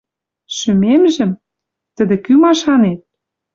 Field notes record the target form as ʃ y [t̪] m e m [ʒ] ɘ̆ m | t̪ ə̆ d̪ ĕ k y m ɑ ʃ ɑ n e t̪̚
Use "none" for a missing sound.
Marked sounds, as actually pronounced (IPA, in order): none, ʒ

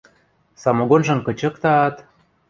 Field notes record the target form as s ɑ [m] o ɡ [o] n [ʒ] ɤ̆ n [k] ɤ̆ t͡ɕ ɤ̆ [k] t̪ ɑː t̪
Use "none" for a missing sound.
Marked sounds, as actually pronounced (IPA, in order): m, o, ʒ, k, k

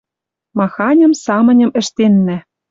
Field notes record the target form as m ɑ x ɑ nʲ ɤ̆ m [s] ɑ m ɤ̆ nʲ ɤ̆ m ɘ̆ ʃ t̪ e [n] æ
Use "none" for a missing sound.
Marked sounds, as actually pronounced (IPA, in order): s, nː

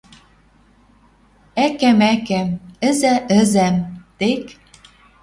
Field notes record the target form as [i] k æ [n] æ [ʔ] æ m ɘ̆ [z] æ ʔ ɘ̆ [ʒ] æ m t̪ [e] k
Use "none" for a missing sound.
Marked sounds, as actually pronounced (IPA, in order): æ, m, k, z, z, e

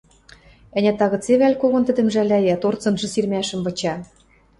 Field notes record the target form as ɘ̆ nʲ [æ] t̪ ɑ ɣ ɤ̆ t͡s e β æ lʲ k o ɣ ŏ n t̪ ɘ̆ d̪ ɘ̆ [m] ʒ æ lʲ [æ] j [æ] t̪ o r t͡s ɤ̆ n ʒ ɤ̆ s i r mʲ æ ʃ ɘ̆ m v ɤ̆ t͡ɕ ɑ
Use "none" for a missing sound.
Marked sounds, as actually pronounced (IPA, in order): æ, m, æ, æ

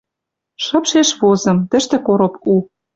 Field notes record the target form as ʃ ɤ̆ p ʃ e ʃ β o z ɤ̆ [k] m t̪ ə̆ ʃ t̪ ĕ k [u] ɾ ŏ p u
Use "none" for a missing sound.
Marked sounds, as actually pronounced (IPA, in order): none, o

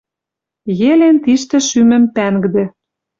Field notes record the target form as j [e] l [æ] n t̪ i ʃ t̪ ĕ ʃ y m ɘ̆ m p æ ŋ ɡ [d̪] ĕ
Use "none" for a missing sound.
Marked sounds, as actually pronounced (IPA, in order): e, e, d̪

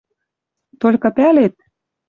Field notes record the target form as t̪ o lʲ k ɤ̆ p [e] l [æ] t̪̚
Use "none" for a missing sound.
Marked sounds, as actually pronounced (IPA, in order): æ, e

